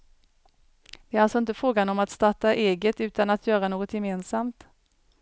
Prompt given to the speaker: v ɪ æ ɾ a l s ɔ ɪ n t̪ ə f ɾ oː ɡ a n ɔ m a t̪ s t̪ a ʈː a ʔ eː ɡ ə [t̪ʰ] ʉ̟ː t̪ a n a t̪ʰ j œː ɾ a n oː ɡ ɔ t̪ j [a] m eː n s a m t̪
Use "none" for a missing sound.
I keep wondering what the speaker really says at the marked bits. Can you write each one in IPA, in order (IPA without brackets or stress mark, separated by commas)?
t̪, ɛ